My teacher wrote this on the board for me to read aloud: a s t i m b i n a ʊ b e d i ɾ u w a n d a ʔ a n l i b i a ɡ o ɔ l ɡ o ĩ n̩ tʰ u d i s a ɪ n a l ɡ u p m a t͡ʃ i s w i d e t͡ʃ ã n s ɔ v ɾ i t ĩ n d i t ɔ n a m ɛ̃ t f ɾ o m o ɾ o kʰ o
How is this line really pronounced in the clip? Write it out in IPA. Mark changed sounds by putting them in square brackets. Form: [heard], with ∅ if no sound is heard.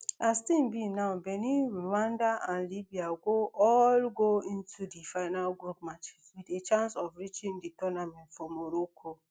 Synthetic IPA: a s t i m b i n a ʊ b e [n] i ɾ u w a n d a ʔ a n l i b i a ɡ o ɔ l ɡ o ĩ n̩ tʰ u d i [f] a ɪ n a l ɡ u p m a t͡ʃ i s w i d e t͡ʃ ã n s ɔ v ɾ i [t͡ʃ] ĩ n d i t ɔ n a m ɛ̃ t f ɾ [ɔ] m o ɾ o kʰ o